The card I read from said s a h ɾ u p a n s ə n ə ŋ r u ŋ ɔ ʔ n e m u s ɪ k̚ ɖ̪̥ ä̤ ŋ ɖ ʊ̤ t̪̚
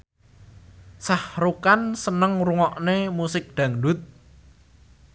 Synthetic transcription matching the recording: s a h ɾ u k a n s ə n ə ŋ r u ŋ ɔ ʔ n e m u s ɪ k̚ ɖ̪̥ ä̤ ŋ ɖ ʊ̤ t̪̚